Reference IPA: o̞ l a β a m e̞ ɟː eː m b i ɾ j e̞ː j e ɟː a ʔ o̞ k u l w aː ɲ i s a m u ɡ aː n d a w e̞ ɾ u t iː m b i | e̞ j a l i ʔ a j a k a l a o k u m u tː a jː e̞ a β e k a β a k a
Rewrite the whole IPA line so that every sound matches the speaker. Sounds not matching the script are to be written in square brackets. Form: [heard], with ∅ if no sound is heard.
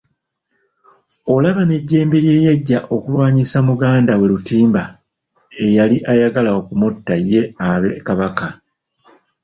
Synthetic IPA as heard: o̞ l a β a [n] e̞ ɟː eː m b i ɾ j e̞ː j e ɟː a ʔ o̞ k u l w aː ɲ i s a m u ɡ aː n d a w e̞ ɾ u t iː m b [a] | e̞ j a l i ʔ a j a [ɡ] a l a o k u m u tː a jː e̞ a β e k a β a k a

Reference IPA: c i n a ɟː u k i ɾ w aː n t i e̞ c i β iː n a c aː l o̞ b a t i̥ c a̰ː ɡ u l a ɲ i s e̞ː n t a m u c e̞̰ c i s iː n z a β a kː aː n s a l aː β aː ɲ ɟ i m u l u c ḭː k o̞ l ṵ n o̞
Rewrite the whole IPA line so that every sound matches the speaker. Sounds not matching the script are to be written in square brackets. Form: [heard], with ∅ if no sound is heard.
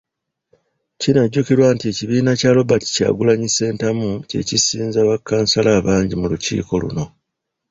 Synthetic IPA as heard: c i n a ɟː u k i ɾ w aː n t i e̞ c i β iː n a c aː l o̞ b a t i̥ c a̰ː ɡ u l a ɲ i s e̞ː n t a m u c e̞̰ c i s iː n z a β a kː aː n s a l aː β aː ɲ ɟ i m u l u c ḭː k o̞ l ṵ n o̞

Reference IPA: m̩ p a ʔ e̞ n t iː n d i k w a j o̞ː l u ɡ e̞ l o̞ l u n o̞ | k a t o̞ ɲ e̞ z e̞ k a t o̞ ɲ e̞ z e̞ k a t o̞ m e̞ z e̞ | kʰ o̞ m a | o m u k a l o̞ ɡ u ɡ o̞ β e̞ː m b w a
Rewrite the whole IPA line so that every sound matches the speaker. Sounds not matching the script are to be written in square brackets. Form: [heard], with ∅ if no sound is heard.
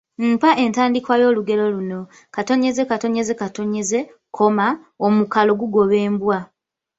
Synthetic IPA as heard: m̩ p a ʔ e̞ n t [aː] n d i k w a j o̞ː l u ɡ e̞ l o̞ l u n o̞ | k a t o̞ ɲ e̞ z e̞ k a t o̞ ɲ e̞ z e̞ k a t o̞ [ɲ] e̞ z e̞ | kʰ o̞ m a | o m u k a l o̞ ɡ u ɡ o̞ β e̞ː m b w a

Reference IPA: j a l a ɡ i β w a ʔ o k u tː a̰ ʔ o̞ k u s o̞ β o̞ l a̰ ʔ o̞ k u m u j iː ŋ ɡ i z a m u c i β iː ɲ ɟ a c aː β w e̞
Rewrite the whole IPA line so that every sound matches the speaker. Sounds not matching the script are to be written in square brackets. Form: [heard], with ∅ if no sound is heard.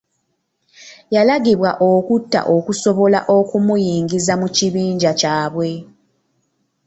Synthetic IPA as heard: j a l a ɡ i β w a ʔ o k u tː a̰ ʔ o̞ k u s o̞ β o̞ l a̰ ʔ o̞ k u m u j iː ŋ ɡ i z a m u c i β iː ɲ ɟ a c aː β w e̞

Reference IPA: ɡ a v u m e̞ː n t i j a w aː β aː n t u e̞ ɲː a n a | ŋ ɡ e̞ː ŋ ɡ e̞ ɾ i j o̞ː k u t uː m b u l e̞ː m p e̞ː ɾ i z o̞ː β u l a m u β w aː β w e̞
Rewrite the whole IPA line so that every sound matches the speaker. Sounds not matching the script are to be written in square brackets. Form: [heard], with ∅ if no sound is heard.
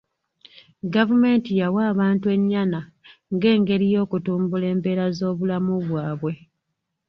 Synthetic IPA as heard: ɡ a v u m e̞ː n t i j a w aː β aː n t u e̞ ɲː a n a | ŋ ɡ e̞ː ŋ ɡ e̞ ɾ i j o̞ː k u t uː m b u l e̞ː m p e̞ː ɾ [a] z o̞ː β u l a m u β w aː β w e̞

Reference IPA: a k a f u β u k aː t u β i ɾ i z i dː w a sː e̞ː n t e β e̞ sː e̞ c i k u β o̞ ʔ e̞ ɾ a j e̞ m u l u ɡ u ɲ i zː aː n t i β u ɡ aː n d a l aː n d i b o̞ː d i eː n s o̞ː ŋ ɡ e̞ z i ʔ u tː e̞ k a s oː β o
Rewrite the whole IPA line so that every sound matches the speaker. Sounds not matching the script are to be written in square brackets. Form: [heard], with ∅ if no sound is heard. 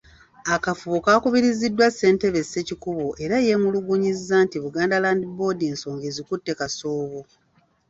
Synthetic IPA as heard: a k a f u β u k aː [k] u β i ɾ i z i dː w a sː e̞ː n t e β e̞ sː e̞ c i k u β o̞ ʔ e̞ ɾ a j e̞ m u l u ɡ u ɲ i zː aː n t i β u ɡ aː n d a l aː n d i b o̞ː d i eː n s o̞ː ŋ ɡ e̞ z i [k] u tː e̞ k a s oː β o

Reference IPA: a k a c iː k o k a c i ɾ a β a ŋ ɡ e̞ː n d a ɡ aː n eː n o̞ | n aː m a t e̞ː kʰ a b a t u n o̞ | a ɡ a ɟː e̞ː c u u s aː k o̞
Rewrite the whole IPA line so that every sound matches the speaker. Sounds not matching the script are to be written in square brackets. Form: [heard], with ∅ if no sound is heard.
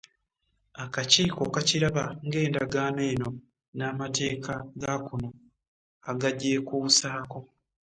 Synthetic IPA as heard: a k a c iː k o k a c i ɾ a β a ŋ ɡ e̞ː n d a ɡ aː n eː n o̞ | n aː m a t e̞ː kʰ a [ɡ] a [k] u n o̞ | a ɡ a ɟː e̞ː [k] u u s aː k o̞

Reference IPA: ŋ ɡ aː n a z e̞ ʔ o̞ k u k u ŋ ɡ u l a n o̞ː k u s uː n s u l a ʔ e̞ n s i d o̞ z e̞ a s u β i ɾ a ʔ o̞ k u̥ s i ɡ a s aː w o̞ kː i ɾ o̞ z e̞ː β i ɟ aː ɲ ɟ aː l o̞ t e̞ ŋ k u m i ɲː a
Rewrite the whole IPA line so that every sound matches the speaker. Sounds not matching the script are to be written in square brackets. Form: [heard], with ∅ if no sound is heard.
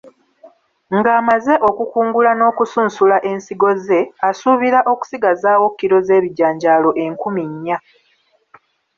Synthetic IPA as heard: ŋ ɡ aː [m] a z e̞ ʔ o̞ k u k [uː] ŋ ɡ u l a n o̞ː k u s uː n s u l a ʔ e̞ n s i [ɡ] o̞ z e̞ a s u β i ɾ a ʔ o̞ k u̥ s i ɡ a [z] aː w o̞ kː i ɾ o̞ z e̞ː β i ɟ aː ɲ ɟ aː l o̞ [ʔ] e̞ ŋ k u m i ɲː a

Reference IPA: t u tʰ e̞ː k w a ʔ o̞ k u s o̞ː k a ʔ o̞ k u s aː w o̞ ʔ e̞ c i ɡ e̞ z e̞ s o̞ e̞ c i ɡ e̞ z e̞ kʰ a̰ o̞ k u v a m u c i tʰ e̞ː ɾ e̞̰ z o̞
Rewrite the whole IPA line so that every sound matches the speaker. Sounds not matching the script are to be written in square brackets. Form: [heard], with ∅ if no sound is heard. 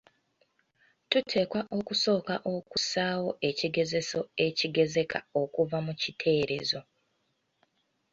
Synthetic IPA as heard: t u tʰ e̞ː k w a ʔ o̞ k u s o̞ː k a ʔ o̞ k u s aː w o̞ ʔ e̞ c i ɡ e̞ z e̞ s o̞ e̞ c i ɡ e̞ z e̞ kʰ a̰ o̞ k u v a m u c i tʰ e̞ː ɾ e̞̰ z o̞

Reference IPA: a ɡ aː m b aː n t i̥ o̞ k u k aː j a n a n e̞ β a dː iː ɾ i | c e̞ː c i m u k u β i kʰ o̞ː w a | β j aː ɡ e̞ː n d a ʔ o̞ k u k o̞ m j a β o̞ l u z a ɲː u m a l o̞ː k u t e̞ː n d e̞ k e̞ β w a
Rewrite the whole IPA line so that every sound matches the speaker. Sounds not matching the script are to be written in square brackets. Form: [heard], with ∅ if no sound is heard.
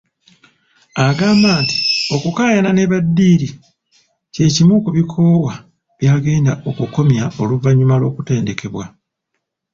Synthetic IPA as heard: a ɡ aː m b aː n t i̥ o̞ k u k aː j a n a n e̞ β a dː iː ɾ i | c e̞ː c i m u k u β i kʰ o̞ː w a | β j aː ɡ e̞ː n d a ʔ o̞ k u k o̞ m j a [∅] o̞ l u [v] a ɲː u m a l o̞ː k u t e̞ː n d e̞ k e̞ β w a

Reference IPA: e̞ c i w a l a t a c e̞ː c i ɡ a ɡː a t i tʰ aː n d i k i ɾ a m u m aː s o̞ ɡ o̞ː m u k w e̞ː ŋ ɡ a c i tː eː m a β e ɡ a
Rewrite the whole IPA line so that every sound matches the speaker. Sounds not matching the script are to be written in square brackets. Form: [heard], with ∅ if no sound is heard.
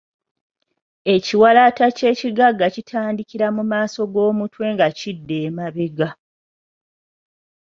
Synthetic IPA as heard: e̞ c i w a l a t a c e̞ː c i ɡ a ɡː a [c] i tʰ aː n d i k i ɾ a m u m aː s o̞ ɡ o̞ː m u [t] w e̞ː ŋ ɡ a c i [dː] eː m a β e ɡ a

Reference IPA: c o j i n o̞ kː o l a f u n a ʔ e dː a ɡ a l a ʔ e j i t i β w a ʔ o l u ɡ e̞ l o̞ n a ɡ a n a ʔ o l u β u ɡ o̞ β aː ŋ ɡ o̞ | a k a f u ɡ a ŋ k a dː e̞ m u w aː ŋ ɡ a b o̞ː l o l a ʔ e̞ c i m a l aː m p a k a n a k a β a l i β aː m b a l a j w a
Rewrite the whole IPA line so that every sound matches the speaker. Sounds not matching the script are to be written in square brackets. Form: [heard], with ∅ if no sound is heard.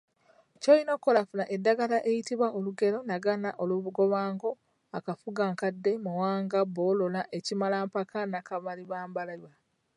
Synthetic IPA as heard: c o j i n o̞ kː o l a f u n a ʔ e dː a ɡ a l a ʔ e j i t i β w a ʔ o l u ɡ e̞ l o̞ n a ɡ a n a ʔ o l u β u ɡ o̞ β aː ŋ ɡ o̞ | a k a f u ɡ a ŋ k a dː e̞ m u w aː ŋ ɡ a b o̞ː l o l a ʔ e̞ c i m a l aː m p a k a n a k a β a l i β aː m b a l a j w a

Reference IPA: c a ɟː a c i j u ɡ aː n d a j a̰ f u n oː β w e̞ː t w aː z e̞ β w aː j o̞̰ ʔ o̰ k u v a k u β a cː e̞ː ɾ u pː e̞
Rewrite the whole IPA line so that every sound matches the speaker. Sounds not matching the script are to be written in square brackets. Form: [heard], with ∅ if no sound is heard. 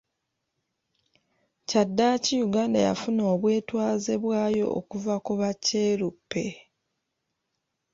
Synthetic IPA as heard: c a [dː] a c i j u ɡ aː n d a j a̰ f u n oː β w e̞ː t w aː z e̞ β w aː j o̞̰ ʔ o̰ k u v a k u β a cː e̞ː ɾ u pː e̞

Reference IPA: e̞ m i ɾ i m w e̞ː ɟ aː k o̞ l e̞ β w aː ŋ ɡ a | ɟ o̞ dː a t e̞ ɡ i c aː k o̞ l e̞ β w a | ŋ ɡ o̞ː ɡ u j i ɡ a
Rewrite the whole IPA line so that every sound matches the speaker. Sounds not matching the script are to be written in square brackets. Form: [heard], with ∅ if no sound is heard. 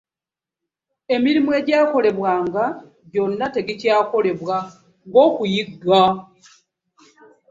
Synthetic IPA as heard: e̞ m i ɾ i m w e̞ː ɟ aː k o̞ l e̞ β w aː ŋ ɡ a | ɟ o̞ [nː] a t e̞ ɡ i c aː k o̞ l e̞ β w a | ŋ ɡ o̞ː [k] u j i ɡ a

